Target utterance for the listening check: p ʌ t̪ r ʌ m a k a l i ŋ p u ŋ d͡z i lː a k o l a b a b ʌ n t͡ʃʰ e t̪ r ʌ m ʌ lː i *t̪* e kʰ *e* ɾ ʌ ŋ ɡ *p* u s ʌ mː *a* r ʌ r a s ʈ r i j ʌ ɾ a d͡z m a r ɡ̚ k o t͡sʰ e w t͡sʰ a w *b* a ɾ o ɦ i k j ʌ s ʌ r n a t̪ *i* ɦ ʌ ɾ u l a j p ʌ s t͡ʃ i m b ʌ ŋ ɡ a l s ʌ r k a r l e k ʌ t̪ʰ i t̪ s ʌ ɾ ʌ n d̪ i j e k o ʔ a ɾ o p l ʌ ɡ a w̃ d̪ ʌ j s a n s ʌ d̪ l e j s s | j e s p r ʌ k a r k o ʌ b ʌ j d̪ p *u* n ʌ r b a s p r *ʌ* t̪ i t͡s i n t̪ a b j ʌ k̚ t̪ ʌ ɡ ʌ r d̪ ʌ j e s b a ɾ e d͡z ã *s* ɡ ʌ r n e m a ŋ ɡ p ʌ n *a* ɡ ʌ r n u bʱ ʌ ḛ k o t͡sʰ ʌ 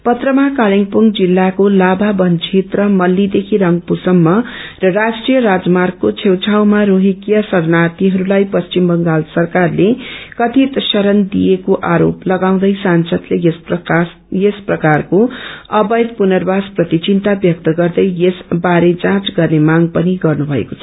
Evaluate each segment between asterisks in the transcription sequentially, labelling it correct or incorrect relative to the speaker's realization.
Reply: incorrect: d̪, incorrect: i, correct, incorrect: ʌ, incorrect: m, correct, correct, correct, incorrect: t͡s, incorrect: i

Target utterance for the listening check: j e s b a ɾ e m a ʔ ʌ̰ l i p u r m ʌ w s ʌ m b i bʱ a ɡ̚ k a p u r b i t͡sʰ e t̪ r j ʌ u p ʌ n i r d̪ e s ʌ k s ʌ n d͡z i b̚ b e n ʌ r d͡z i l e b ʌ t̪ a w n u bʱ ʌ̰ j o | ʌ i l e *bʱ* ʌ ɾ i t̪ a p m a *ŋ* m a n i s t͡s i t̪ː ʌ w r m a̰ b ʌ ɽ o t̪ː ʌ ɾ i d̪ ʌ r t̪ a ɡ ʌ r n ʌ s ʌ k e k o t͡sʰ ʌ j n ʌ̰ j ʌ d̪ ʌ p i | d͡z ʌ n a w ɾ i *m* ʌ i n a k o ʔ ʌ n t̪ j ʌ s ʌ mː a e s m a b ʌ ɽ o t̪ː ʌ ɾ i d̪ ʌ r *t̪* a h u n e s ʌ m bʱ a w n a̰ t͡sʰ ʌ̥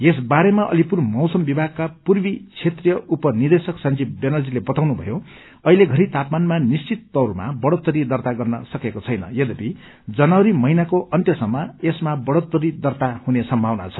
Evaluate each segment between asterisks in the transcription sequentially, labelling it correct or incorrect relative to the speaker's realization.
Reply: incorrect: ɡʱ, incorrect: n, correct, correct

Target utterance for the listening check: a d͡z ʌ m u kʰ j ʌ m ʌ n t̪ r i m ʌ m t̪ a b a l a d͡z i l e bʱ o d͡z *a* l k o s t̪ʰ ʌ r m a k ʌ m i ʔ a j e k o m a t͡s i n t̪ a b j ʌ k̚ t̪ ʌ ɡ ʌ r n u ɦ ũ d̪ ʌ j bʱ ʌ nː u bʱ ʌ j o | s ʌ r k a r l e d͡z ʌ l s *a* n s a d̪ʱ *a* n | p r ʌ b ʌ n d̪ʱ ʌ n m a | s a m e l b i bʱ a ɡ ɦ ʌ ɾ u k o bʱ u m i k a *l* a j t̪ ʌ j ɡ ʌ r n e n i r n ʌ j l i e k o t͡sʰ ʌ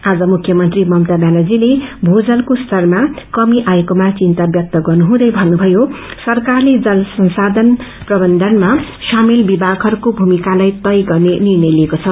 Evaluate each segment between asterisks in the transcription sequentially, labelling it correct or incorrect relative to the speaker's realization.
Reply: incorrect: ʌ, incorrect: ʌ, incorrect: ʌ, correct

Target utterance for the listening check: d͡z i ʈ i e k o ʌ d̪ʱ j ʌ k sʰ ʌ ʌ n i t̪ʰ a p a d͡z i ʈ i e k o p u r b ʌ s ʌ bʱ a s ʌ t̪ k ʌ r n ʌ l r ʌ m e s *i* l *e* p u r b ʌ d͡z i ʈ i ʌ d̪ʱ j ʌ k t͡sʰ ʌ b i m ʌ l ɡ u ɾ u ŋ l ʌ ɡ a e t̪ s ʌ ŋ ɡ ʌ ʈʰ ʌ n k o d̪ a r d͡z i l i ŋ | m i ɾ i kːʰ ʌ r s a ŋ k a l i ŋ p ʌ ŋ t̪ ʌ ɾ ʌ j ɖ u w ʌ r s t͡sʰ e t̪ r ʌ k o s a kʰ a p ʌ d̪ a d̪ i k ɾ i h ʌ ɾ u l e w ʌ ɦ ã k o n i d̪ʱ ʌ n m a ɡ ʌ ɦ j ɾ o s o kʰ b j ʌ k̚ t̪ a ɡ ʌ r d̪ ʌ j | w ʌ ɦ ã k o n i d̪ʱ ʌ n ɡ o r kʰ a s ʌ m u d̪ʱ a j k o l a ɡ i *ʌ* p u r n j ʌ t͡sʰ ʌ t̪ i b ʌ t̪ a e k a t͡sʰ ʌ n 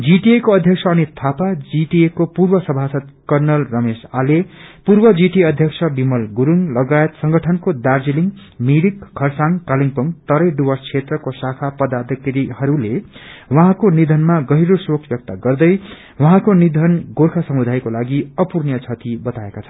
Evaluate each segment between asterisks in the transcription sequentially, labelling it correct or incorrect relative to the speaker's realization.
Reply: incorrect: a, correct, correct

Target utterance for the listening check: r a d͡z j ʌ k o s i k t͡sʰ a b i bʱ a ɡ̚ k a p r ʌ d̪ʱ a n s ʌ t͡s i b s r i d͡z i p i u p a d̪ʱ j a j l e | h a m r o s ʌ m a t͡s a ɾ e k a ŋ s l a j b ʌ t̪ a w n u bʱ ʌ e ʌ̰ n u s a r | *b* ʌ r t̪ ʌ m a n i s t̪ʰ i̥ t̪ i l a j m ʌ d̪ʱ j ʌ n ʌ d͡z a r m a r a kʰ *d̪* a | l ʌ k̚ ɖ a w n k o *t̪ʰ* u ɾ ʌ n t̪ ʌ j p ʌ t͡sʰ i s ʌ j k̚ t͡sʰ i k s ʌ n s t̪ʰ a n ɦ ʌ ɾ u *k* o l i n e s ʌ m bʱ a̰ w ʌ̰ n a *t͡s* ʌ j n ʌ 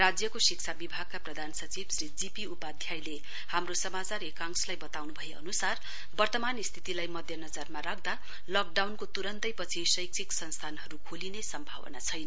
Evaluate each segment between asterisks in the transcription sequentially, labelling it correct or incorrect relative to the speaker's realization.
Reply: correct, correct, incorrect: t̪, incorrect: kʰ, incorrect: t͡sʰ

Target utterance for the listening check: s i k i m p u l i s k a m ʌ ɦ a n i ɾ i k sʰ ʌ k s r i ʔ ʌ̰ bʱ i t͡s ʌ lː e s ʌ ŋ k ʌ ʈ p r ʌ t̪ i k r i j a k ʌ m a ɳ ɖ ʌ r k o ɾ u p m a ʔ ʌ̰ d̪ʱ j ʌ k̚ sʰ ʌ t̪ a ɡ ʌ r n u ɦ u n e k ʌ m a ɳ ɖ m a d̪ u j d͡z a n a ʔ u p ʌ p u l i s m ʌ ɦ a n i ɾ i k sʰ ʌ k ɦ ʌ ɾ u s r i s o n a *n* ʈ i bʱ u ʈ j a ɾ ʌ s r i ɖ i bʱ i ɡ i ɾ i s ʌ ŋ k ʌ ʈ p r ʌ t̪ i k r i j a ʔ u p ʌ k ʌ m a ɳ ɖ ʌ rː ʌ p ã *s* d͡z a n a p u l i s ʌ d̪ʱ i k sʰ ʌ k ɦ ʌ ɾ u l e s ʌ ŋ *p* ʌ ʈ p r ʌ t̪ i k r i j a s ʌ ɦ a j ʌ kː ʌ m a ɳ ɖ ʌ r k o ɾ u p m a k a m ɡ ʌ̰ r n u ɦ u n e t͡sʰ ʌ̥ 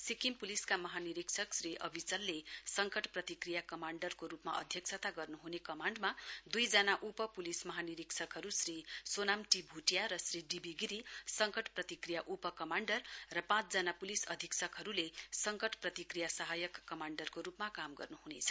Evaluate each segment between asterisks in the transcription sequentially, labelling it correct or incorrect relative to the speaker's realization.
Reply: incorrect: m, incorrect: t͡s, incorrect: k

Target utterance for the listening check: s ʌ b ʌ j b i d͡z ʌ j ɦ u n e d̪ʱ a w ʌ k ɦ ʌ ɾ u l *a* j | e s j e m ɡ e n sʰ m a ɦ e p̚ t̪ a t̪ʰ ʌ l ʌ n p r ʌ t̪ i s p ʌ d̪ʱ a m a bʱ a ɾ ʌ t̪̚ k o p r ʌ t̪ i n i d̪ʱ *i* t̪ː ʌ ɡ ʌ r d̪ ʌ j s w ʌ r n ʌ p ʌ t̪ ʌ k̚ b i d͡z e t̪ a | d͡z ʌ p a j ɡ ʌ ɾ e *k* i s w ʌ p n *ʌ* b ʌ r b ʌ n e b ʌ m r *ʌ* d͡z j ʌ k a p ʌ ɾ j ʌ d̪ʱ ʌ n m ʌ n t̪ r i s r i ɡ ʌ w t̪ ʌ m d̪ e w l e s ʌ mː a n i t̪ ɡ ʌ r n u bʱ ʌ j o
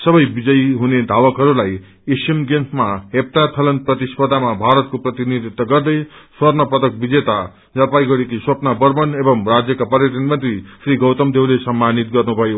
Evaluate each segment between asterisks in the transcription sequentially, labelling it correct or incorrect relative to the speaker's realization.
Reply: correct, correct, correct, incorrect: a, incorrect: a

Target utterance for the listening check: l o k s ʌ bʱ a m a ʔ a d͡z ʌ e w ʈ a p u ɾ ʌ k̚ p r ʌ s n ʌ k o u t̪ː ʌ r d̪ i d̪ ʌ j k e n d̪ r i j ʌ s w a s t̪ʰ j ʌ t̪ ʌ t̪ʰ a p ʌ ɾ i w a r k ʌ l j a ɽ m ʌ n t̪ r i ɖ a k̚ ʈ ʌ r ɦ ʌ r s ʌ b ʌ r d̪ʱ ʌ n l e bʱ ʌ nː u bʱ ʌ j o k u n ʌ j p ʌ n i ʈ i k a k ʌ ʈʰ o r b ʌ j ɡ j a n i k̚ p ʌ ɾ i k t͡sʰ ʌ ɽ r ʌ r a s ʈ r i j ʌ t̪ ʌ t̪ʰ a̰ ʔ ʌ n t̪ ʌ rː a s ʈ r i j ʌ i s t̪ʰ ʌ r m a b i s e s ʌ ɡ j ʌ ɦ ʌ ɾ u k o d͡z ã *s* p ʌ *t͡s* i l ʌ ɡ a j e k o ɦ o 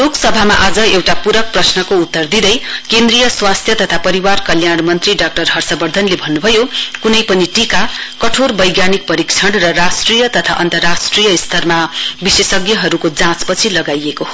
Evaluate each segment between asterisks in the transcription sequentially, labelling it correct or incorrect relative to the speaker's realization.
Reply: incorrect: t͡s, incorrect: t͡sʰ

